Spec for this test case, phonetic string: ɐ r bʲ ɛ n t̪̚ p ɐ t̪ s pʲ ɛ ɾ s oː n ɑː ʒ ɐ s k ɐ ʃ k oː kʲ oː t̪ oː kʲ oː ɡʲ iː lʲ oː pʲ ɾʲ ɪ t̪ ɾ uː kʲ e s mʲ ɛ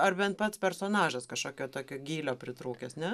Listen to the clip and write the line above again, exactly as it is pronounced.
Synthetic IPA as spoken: ɐ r bʲ ɛ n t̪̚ p ɐ t̪ s pʲ ɛ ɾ s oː n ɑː ʒ ɐ s k ɐ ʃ k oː kʲ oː t̪ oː kʲ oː ɡʲ iː lʲ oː pʲ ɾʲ ɪ t̪ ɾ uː kʲ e s nʲ ɛ